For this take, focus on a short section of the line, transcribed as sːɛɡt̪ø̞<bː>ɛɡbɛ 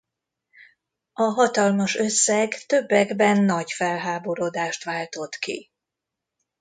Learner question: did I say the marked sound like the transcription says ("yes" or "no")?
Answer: yes